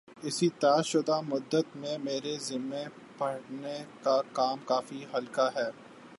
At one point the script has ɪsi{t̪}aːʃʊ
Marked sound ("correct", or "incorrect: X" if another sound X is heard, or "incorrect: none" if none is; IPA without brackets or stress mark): correct